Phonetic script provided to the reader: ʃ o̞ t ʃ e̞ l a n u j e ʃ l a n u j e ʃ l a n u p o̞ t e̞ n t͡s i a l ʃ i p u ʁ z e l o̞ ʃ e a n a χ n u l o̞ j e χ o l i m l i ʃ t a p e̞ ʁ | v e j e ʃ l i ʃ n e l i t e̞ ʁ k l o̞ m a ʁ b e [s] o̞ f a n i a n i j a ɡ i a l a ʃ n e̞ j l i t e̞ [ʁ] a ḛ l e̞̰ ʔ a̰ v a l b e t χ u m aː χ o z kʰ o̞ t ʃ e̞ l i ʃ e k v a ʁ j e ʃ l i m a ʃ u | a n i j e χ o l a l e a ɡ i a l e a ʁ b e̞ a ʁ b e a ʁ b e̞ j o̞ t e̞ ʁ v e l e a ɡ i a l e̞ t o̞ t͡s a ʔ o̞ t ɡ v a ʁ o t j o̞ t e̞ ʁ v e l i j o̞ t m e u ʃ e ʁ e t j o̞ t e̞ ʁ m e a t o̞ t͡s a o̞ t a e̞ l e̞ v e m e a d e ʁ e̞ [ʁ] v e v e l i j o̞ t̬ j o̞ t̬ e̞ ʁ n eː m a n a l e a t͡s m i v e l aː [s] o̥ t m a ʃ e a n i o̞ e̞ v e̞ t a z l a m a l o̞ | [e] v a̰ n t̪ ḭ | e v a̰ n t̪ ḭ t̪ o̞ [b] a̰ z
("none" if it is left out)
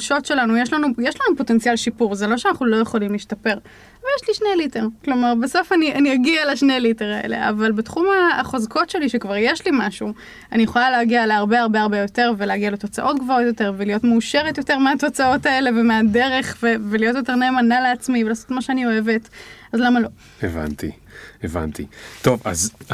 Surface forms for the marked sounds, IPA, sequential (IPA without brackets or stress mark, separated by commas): s, ʁ, χ, s, e, v